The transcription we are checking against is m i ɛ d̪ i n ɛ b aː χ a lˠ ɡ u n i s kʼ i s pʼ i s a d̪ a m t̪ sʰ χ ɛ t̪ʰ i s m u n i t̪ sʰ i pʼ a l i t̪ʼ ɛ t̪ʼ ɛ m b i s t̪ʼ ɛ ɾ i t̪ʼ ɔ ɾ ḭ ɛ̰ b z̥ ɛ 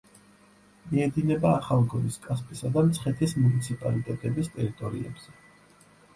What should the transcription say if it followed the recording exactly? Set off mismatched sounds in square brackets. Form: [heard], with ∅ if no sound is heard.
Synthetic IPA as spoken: m i ɛ d̪ i n ɛ b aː χ a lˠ ɡ [ɔ] n i s kʼ [a] s pʼ i s a d̪ a m t̪ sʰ χ ɛ t̪ʰ i s m u n i t̪ sʰ i pʼ a l i t̪ʼ ɛ t̪ʼ ɛ [∅] b i s t̪ʼ ɛ ɾ i t̪ʼ ɔ ɾ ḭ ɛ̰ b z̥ ɛ